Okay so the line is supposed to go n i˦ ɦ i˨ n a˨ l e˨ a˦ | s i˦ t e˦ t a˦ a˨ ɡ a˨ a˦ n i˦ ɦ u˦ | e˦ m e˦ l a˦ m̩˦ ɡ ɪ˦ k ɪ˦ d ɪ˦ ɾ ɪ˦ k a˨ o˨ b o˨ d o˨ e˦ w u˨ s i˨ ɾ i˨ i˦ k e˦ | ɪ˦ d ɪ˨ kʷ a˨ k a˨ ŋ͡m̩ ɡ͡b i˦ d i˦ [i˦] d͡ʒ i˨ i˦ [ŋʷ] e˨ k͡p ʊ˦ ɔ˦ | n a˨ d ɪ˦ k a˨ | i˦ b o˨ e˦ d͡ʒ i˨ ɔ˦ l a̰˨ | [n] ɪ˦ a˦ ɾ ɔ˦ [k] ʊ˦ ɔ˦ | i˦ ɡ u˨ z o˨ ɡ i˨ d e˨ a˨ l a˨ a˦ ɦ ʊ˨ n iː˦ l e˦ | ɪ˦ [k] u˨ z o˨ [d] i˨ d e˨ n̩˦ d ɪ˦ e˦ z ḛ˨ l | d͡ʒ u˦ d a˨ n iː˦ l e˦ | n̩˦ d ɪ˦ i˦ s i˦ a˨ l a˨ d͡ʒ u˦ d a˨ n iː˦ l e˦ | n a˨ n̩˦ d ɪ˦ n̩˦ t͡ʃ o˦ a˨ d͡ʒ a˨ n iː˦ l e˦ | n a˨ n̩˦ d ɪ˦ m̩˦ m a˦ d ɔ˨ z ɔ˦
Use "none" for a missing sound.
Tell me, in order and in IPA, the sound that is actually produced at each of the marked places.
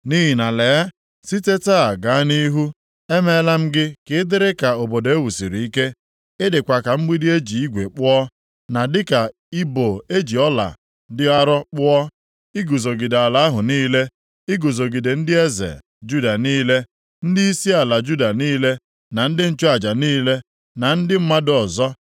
e˦, ɡʷ, d, k͡p, ɡ, ɡ

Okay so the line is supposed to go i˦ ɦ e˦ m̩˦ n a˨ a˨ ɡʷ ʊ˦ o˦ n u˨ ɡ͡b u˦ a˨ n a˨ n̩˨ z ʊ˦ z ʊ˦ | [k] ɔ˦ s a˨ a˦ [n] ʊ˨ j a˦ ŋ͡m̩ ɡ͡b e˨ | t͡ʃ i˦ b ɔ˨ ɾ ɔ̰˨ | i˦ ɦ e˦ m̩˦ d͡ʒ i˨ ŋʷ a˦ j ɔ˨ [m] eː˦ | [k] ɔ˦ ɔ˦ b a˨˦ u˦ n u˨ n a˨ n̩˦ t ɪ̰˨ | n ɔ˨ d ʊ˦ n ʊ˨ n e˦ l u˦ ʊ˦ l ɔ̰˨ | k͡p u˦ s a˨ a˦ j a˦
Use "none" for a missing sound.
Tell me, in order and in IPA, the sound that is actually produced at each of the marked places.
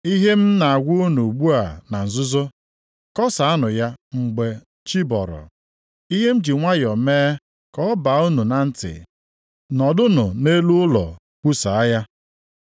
k, n, m, k

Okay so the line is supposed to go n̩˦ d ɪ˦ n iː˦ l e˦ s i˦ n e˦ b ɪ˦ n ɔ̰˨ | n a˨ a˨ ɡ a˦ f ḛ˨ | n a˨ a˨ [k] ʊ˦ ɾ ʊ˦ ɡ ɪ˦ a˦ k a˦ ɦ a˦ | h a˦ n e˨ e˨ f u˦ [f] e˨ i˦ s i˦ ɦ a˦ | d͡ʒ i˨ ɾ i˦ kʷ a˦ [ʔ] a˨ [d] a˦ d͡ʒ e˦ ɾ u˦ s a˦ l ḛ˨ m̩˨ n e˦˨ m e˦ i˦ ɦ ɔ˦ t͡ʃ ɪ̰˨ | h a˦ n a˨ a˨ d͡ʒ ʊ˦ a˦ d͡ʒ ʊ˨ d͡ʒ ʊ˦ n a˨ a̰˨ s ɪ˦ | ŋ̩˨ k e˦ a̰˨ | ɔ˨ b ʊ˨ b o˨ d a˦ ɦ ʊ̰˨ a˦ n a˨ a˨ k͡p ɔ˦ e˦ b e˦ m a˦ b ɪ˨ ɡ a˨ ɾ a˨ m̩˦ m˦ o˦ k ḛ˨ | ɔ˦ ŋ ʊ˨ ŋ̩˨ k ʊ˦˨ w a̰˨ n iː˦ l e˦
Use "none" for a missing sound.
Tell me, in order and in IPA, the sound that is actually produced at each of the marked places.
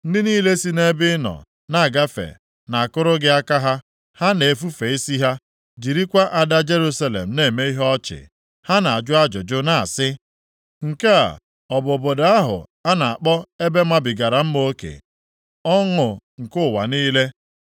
k, f, ʔ, d

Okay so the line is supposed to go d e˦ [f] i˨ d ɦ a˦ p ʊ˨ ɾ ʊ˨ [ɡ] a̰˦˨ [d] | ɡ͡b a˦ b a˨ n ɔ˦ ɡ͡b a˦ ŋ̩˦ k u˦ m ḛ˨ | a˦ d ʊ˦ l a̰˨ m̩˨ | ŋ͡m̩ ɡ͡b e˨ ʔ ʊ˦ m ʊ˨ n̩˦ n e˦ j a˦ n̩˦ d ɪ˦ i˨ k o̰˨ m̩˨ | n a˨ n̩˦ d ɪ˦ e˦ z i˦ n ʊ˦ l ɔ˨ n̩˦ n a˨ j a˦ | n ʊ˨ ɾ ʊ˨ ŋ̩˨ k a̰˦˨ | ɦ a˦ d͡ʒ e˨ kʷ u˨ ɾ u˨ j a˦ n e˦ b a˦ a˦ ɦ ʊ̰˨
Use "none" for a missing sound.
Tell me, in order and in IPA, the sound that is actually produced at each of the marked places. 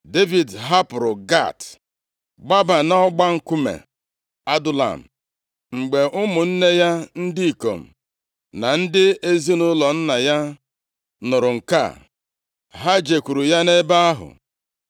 v, ɡ, t

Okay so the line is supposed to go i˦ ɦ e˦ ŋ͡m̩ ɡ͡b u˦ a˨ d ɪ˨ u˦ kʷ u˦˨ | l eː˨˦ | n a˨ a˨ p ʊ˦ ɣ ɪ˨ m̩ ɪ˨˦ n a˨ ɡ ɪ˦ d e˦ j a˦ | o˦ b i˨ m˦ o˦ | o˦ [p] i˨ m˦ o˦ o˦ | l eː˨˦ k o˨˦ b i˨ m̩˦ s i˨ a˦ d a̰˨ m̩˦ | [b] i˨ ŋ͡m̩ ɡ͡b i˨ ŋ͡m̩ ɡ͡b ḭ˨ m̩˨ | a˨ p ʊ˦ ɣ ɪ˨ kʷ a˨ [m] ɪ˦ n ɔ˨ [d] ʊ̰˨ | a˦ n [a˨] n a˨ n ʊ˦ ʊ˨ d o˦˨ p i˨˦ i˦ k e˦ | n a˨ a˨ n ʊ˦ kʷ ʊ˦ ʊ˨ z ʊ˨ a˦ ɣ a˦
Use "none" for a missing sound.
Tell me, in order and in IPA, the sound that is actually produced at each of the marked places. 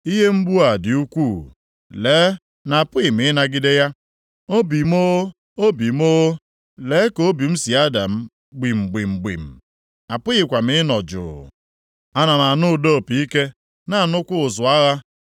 b, ɡ͡b, m, d͡ʒ, a˨

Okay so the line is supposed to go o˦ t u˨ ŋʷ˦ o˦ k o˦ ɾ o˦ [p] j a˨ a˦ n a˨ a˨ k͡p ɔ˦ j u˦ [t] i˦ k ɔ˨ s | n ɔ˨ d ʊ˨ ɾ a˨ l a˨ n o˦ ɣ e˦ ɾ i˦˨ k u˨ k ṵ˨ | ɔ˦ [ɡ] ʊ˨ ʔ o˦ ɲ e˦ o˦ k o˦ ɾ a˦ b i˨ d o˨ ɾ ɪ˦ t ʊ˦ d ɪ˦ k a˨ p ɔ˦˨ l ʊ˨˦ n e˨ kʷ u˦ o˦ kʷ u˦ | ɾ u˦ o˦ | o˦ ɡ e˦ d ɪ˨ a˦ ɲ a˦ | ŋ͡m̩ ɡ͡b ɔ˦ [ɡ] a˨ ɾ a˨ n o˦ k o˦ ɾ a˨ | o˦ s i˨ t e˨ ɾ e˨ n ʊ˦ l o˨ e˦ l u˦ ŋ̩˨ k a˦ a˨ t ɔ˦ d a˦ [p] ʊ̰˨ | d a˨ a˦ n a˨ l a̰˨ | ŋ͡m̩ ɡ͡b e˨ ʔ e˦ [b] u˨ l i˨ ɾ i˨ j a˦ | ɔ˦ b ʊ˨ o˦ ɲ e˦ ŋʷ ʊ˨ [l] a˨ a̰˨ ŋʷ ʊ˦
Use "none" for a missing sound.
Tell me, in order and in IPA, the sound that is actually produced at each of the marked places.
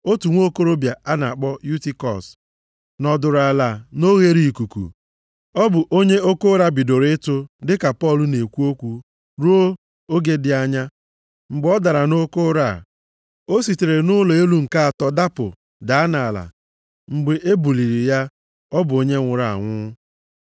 b, t, b, d, p, b, ɾ

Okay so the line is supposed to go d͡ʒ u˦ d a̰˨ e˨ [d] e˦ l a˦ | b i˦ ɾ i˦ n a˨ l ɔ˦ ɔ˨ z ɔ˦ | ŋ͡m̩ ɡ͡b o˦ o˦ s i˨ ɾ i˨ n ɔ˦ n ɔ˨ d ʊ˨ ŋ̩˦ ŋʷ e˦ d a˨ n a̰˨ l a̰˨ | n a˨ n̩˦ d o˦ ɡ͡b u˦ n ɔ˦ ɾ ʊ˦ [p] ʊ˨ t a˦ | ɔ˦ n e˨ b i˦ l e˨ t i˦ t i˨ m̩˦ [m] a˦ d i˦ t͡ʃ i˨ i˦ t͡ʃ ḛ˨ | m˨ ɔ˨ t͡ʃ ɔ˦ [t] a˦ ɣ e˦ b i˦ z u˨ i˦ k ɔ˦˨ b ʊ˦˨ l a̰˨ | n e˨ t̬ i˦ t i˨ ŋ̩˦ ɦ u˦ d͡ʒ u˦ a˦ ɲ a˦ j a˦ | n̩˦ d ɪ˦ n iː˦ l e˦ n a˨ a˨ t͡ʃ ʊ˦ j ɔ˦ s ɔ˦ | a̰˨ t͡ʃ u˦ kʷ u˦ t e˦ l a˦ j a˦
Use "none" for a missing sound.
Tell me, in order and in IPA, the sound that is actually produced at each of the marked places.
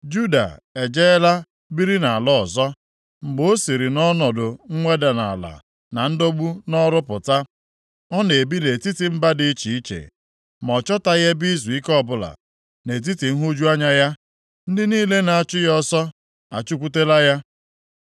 d͡ʒ, p, b, t

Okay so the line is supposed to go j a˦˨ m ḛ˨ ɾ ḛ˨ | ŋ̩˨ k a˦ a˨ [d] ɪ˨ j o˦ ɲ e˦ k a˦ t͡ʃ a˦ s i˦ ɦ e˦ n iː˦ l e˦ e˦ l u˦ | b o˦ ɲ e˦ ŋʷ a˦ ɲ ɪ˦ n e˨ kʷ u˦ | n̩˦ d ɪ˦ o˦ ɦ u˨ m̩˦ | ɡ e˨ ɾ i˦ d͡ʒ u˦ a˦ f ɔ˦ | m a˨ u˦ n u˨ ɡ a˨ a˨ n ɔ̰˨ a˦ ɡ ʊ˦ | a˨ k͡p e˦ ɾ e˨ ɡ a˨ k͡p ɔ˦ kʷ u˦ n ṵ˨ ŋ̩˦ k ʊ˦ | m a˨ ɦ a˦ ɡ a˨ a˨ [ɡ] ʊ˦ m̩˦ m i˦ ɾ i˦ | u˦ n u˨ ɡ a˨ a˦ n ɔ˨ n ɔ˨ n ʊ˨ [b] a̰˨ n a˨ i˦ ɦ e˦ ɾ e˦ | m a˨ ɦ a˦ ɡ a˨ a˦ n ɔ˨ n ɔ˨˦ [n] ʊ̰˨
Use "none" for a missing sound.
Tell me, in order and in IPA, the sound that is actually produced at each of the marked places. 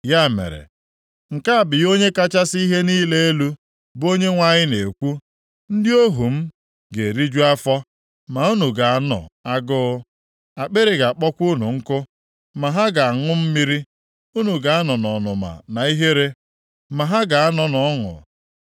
b, ŋ, m, ŋ

